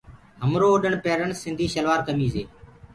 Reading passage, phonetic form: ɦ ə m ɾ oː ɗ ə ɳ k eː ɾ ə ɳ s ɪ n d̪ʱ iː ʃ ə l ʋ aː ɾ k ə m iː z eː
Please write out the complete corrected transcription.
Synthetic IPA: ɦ ə m ɾ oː ɗ ə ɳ p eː ɾ ə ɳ s ɪ n d̪ʱ iː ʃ ə l ʋ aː ɾ k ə m iː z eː